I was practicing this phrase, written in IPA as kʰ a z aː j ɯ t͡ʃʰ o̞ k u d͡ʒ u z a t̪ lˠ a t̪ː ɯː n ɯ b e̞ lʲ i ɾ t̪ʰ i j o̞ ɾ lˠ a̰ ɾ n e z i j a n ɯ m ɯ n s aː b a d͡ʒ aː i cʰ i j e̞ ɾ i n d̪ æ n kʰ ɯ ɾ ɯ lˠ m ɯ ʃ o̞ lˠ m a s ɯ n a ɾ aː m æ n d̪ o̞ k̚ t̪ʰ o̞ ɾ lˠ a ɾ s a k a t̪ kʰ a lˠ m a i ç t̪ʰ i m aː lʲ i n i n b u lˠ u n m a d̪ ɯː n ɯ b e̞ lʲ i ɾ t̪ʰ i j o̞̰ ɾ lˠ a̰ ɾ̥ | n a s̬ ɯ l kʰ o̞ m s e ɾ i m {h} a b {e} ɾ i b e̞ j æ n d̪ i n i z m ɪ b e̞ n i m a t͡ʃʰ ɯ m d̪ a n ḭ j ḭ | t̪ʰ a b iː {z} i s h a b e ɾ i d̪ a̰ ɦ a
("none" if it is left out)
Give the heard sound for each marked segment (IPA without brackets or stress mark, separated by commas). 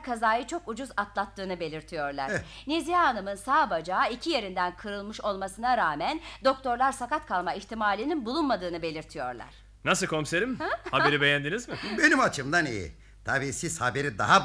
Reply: h, e, s